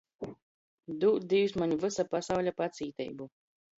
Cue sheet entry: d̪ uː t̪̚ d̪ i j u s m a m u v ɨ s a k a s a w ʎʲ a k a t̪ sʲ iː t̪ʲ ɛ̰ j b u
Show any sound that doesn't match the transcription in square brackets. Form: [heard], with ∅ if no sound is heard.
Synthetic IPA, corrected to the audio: d̪ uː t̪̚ d̪ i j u s m a [ɲ] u v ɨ s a [p] a s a w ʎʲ a [p] a t̪ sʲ iː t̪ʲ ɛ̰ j b u